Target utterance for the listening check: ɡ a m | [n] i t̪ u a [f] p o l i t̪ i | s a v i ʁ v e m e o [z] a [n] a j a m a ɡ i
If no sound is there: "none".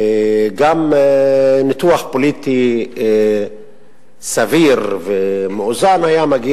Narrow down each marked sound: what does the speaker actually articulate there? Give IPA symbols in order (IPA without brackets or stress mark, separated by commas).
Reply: n, χ, z, n